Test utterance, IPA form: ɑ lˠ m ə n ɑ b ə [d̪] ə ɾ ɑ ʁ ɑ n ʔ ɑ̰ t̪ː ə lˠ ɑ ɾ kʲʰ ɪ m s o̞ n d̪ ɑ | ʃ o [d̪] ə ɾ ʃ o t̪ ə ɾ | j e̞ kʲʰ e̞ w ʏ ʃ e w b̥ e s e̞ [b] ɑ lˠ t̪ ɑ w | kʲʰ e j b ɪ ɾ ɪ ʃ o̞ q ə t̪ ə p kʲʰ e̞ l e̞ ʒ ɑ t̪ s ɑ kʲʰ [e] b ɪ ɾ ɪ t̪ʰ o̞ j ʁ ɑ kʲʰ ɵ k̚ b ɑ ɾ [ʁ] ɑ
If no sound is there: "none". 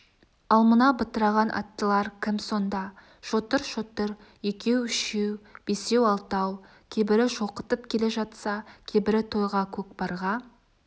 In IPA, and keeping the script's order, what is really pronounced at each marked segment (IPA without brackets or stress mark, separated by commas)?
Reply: t̪, t̪, w, e, ʁ